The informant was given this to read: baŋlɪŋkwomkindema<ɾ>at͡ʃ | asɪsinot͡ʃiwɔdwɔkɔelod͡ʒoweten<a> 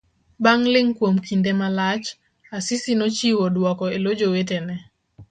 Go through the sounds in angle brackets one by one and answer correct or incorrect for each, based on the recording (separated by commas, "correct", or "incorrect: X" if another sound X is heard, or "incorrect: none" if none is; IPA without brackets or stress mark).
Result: incorrect: l, incorrect: ɛ